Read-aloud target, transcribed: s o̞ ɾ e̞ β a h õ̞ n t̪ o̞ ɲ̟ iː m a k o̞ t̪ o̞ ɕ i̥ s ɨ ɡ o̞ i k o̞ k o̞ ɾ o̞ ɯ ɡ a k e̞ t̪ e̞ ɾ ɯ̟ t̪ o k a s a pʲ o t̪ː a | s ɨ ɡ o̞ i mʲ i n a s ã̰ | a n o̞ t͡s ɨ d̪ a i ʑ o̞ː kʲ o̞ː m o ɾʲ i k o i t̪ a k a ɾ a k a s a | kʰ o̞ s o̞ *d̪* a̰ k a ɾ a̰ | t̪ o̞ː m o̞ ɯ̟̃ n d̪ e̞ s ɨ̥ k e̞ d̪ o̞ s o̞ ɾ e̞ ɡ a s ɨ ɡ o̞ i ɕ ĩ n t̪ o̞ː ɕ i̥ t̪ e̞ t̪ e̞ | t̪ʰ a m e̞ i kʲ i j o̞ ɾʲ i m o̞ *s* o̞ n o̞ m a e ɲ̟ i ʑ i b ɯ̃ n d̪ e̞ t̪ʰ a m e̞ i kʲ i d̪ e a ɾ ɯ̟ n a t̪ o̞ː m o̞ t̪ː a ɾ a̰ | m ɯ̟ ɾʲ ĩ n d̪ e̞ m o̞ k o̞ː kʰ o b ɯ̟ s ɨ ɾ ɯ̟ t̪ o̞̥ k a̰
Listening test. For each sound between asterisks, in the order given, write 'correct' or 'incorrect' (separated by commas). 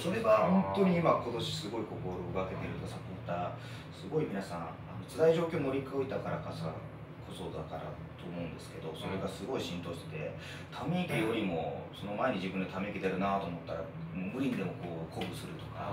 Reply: correct, correct